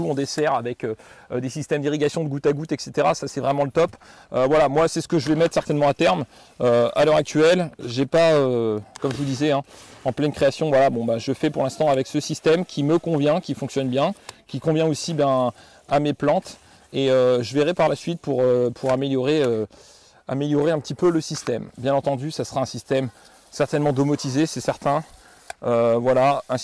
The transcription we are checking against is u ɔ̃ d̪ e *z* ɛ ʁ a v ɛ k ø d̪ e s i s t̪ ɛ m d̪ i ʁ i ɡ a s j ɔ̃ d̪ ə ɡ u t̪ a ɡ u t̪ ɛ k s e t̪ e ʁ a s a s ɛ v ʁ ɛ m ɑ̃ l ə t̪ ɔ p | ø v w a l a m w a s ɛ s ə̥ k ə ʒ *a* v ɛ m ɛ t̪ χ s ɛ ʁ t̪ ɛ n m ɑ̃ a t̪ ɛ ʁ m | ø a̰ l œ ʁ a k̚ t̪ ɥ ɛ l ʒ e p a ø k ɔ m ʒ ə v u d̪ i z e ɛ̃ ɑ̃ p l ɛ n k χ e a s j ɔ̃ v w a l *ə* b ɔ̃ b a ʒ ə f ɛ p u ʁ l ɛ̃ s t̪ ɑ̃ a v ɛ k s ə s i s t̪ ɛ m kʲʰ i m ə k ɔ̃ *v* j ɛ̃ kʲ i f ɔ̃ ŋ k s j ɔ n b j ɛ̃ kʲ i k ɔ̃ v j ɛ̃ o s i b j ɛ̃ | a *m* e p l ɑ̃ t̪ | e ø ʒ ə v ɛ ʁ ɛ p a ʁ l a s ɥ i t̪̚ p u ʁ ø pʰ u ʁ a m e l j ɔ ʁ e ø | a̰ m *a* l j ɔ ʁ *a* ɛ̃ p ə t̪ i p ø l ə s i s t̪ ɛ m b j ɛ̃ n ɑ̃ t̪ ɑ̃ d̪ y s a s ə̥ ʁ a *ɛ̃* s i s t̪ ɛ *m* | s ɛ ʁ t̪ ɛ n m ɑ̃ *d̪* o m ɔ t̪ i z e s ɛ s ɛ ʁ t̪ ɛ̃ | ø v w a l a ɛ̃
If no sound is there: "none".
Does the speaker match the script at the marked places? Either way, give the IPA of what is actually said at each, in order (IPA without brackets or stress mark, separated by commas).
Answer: s, ə, a, v, m, e, e, ɛ̃, m, d̪